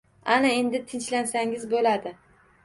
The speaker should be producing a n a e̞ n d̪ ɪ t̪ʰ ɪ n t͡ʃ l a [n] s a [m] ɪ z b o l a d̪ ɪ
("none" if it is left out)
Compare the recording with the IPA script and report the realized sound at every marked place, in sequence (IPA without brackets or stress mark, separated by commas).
n, ŋ